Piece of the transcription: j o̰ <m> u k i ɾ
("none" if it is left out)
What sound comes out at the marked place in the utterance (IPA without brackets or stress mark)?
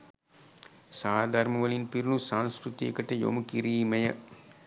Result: m